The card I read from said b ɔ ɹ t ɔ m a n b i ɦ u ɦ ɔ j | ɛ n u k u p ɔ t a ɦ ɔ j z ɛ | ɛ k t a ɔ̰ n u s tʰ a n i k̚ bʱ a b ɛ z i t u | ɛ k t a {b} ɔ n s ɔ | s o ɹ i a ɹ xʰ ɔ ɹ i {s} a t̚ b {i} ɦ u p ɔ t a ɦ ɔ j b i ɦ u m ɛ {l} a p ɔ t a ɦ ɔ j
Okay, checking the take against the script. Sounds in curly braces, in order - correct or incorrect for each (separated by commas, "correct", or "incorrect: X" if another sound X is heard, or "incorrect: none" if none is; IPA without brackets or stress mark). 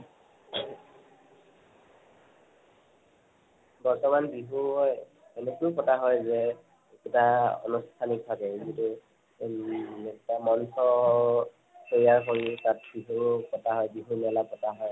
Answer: incorrect: m, incorrect: t, correct, correct